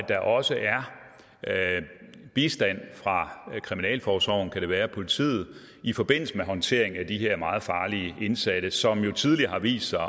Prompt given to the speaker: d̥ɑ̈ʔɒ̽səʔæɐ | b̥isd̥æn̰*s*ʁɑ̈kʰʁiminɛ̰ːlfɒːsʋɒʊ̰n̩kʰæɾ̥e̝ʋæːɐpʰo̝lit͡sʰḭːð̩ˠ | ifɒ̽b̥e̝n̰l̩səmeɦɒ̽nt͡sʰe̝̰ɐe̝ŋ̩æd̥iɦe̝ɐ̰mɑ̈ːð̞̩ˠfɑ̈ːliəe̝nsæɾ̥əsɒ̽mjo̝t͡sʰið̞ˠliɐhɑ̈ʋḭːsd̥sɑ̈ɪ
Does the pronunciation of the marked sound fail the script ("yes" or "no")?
yes